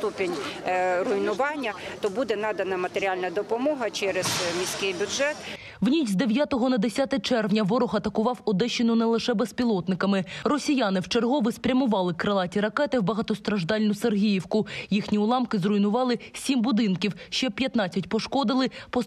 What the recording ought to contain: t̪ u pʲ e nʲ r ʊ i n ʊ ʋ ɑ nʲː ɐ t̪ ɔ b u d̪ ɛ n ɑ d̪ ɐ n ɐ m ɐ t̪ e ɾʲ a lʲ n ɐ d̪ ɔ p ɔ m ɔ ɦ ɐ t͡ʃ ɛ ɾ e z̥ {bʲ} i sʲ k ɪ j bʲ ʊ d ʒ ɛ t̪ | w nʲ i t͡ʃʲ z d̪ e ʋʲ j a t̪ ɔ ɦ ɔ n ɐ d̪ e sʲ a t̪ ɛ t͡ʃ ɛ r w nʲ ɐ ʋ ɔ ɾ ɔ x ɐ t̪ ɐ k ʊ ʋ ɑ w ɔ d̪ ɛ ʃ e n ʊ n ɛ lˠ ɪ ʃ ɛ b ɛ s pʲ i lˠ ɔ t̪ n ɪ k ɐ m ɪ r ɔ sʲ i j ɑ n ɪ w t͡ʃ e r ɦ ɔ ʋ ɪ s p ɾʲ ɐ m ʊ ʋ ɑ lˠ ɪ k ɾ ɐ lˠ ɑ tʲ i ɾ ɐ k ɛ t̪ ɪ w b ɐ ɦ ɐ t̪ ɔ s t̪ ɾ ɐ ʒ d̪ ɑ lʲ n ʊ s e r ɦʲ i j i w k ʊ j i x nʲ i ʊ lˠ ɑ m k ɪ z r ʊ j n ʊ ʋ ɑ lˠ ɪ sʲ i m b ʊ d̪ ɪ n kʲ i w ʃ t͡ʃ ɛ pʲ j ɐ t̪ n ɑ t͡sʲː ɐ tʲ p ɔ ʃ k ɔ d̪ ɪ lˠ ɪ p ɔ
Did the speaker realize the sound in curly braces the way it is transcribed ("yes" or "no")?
no